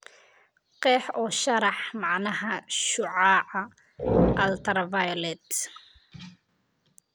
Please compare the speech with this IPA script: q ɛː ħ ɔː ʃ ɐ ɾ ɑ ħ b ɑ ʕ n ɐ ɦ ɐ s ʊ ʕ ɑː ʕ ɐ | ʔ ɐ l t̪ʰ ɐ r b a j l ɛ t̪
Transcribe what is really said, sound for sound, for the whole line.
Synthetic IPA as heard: q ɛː ħ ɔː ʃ ɐ ɾ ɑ ħ m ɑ ʕ n ɐ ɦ ɐ ʃ ʊ ʕ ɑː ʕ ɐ | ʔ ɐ l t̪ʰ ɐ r v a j l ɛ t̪